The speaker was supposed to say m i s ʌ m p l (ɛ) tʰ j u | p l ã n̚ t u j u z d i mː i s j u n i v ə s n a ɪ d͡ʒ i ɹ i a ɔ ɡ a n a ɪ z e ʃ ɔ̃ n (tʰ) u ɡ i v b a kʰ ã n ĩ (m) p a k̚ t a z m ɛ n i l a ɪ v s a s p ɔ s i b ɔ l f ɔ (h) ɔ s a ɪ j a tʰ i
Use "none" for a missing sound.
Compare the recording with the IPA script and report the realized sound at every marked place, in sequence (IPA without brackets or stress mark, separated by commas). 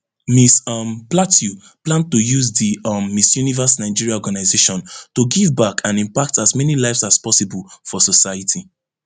a, t, m, s